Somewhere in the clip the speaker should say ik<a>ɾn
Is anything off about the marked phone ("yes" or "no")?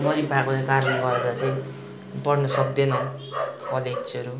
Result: no